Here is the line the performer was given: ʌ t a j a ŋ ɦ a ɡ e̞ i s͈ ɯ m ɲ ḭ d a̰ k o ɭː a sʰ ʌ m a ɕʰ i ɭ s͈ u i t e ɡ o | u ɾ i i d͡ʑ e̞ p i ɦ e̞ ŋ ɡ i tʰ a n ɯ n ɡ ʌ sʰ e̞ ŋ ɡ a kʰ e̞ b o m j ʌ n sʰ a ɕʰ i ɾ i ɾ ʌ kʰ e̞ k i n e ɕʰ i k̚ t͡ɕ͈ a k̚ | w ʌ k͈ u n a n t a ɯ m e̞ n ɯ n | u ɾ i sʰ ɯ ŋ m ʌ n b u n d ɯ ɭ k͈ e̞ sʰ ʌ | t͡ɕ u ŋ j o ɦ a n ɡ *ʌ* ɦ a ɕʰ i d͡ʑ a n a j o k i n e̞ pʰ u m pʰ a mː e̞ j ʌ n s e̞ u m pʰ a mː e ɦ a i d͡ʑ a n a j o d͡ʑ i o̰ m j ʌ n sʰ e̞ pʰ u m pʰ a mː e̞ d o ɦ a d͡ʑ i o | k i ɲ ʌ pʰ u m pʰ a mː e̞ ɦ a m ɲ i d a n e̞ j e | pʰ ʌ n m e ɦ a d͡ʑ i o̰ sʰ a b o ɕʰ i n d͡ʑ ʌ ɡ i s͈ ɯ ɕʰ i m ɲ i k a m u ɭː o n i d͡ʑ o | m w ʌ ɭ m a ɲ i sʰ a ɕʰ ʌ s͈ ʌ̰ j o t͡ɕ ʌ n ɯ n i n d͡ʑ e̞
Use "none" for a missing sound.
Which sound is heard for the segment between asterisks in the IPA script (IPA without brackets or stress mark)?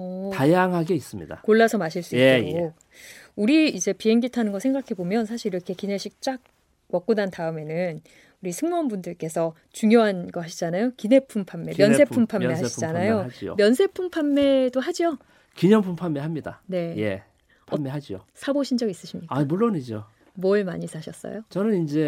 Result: ʌ